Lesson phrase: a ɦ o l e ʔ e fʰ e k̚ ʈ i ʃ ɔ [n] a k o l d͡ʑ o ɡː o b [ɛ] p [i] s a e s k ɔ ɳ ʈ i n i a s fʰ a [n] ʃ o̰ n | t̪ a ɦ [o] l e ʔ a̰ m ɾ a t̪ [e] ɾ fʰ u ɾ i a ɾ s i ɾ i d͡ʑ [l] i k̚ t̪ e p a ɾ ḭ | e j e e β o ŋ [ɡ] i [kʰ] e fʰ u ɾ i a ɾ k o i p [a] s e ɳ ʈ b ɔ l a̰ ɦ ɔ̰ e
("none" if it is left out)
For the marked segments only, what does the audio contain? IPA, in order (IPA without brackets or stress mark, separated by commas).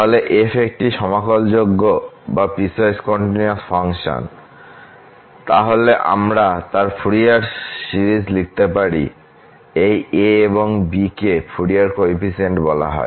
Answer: m, a, i, ŋ, o, a, l, b, k, i